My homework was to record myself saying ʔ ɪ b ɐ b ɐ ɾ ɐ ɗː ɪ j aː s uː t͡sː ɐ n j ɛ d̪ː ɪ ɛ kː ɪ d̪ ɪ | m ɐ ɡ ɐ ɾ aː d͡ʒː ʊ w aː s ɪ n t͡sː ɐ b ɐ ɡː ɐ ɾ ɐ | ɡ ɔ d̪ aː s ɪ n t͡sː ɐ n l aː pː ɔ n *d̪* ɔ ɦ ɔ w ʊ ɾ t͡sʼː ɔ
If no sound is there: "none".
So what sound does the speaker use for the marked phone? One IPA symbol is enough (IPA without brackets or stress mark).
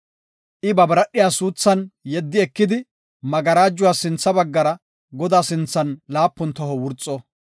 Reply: t̪